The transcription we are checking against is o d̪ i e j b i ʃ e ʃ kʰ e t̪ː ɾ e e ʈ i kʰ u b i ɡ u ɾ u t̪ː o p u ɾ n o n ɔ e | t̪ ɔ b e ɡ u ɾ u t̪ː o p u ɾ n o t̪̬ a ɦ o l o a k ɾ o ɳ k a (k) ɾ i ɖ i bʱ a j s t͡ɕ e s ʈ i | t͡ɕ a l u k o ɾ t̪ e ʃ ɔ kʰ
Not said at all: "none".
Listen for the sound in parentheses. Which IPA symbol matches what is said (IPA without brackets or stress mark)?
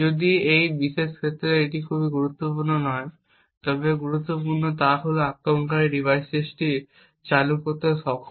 none